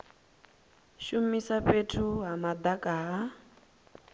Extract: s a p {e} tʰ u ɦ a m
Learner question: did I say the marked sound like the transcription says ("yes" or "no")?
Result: yes